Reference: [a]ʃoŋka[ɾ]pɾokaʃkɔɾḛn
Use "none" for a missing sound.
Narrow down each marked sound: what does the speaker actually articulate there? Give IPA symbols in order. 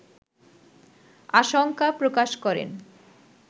a, none

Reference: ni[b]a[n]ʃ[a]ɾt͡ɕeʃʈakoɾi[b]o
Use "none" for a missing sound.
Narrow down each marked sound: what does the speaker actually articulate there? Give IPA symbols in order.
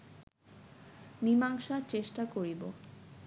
m, ŋ, a, b

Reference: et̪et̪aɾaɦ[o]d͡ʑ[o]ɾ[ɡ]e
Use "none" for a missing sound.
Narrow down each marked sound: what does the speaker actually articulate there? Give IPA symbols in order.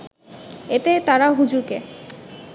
u, u, k

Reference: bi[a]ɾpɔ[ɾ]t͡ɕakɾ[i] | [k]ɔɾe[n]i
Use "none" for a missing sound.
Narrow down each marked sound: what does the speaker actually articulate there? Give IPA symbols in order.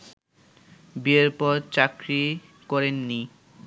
e, ɾ, i, k, nː

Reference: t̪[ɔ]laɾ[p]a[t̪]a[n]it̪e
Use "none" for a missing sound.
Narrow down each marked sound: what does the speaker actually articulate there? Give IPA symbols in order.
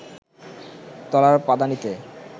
ɔ, p, d̪, n

